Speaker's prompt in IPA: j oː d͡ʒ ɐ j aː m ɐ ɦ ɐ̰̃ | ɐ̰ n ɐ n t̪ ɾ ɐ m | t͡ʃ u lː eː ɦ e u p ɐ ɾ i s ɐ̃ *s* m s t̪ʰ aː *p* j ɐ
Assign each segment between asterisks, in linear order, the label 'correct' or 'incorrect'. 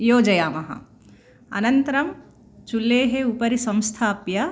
incorrect, correct

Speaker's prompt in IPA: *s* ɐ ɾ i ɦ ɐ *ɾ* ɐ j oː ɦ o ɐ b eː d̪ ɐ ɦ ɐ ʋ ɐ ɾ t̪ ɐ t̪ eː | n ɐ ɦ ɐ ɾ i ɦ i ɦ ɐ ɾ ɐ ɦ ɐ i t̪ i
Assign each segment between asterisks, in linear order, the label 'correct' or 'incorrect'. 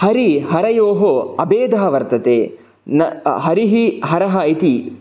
incorrect, correct

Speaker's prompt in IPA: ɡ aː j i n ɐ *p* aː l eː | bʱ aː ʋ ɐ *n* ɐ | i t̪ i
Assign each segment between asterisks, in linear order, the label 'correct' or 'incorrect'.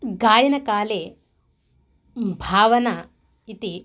incorrect, correct

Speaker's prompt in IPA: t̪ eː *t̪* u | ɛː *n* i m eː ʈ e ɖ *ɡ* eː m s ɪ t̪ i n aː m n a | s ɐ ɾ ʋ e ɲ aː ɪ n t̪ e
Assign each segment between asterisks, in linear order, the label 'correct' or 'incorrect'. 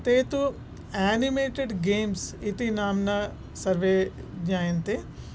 correct, correct, correct

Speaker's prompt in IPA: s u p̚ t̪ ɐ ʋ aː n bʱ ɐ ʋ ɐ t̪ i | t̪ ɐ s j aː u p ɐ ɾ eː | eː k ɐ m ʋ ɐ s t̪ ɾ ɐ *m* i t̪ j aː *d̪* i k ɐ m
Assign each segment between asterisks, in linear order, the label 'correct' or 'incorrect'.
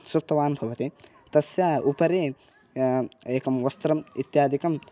correct, correct

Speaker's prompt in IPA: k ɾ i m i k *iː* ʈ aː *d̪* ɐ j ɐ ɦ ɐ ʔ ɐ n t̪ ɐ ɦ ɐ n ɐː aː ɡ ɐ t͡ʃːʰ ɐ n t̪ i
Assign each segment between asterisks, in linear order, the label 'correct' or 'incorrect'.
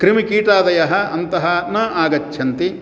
correct, correct

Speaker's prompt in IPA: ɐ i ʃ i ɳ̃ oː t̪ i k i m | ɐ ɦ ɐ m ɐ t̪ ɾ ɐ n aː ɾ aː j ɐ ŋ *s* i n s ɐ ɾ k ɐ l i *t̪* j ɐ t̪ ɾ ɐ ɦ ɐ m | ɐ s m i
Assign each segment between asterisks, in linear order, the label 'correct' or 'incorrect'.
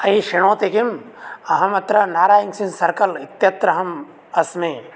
correct, correct

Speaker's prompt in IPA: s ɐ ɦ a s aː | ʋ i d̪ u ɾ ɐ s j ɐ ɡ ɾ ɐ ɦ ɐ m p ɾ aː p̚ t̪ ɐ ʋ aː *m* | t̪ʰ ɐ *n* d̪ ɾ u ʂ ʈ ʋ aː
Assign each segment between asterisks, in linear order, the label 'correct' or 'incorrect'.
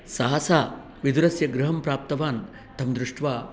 incorrect, incorrect

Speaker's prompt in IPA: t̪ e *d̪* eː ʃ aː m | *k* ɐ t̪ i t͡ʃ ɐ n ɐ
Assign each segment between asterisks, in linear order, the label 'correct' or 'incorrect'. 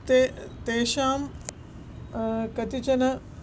incorrect, correct

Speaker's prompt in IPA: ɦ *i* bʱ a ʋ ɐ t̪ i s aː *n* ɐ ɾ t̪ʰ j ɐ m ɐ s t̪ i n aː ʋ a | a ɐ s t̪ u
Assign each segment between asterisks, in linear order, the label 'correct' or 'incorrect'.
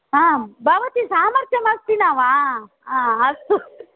incorrect, incorrect

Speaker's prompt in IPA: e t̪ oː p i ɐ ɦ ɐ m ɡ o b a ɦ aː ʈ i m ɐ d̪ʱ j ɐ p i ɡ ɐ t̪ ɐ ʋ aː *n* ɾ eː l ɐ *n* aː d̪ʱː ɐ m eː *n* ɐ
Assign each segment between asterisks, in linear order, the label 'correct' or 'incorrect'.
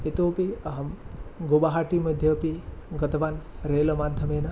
correct, incorrect, correct

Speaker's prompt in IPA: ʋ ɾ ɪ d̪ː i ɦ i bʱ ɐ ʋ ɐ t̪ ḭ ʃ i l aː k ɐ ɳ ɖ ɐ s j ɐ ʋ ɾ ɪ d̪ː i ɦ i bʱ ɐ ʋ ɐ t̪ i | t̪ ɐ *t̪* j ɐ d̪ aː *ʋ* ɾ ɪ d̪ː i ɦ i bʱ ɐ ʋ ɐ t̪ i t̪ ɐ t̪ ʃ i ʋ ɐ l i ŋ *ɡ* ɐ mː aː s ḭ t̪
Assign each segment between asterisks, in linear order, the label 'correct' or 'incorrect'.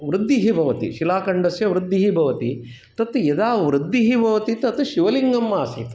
correct, correct, correct

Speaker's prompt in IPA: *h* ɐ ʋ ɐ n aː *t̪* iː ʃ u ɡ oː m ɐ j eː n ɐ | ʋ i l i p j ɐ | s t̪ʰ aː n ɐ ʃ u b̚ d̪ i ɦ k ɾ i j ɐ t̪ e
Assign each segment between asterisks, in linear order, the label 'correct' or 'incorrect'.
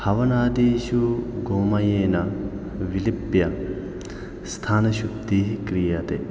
correct, incorrect

